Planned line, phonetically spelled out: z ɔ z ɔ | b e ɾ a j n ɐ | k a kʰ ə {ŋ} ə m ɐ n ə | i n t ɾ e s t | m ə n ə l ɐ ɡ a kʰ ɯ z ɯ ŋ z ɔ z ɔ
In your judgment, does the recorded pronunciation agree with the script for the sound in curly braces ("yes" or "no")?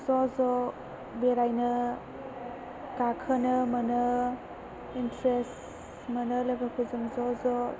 no